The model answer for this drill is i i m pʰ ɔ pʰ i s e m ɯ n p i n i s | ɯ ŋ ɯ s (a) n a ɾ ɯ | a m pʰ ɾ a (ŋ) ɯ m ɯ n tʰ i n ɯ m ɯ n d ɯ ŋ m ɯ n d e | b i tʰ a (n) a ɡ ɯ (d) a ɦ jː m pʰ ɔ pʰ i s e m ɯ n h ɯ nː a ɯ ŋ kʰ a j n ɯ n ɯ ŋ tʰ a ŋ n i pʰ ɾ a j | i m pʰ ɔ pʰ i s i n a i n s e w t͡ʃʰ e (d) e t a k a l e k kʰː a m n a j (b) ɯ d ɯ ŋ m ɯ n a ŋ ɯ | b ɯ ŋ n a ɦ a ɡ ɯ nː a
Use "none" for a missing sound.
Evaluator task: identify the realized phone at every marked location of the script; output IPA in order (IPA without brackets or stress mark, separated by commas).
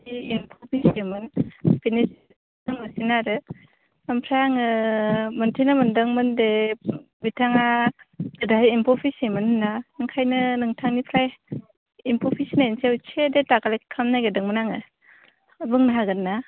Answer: i, ŋ, ŋ, d, d, ɡ